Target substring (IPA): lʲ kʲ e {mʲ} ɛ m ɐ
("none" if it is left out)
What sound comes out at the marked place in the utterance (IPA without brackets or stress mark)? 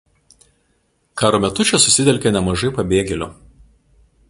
nʲ